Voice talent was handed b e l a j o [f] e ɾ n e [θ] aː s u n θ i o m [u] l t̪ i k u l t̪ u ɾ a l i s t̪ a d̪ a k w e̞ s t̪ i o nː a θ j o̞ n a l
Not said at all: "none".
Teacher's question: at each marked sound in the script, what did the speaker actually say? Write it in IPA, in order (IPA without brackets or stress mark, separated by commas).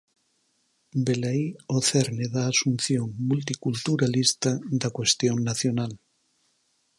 θ, ð, u